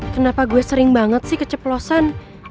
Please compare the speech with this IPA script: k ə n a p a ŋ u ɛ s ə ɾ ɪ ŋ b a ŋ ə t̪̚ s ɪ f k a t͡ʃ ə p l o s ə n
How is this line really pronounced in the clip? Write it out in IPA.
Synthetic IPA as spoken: k ə n a p a ɡ u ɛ s ə ɾ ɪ ŋ b a ŋ ə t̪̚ s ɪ h k ə t͡ʃ ə p l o s a n